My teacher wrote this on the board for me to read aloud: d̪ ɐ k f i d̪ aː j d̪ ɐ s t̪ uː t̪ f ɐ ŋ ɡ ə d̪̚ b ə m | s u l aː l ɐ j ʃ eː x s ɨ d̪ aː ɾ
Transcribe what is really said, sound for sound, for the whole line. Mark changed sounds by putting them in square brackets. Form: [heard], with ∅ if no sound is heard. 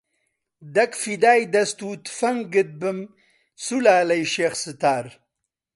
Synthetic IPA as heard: d̪ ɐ k f i d̪ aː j d̪ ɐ s t̪ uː t̪ f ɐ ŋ ɡ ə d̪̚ b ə m | s u l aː l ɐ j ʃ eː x s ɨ [t̪] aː ɾ

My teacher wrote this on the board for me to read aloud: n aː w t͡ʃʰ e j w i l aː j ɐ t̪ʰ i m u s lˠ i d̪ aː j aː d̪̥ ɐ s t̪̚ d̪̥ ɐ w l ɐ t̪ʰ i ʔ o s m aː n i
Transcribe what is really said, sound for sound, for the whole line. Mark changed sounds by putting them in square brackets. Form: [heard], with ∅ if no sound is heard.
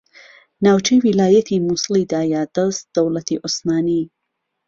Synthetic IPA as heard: n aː w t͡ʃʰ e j w i l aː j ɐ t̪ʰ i m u s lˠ i d̪ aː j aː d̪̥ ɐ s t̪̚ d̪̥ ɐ w l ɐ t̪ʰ i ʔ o s m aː n i

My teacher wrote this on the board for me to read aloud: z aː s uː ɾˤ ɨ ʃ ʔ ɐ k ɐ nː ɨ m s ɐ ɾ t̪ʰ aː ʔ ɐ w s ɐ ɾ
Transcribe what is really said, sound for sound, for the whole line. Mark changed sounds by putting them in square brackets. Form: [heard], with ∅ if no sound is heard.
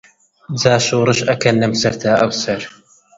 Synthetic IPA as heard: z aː [ʃ] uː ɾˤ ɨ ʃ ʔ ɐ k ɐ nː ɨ m s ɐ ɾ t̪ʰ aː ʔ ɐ w s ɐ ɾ

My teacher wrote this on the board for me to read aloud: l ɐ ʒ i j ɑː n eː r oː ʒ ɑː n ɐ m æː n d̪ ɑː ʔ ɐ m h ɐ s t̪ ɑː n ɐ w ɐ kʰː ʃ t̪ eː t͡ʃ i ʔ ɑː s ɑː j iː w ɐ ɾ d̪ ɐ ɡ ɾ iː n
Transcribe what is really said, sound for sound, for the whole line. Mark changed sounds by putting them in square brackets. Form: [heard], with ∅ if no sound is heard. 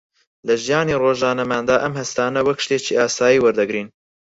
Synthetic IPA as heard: l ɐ ʒ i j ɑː n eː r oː ʒ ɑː n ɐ m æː n d̪ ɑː ʔ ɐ m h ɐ s t̪ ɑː n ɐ w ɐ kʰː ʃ t̪ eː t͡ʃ i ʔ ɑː s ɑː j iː w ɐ ɾ d̪ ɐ ɡ ɾ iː n

